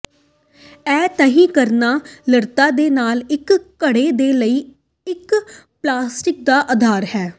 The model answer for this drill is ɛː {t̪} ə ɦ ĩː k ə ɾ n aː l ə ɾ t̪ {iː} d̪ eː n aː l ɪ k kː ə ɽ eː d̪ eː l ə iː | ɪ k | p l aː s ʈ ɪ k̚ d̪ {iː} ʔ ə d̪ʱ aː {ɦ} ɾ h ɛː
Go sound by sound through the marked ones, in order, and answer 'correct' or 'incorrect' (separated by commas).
correct, incorrect, incorrect, incorrect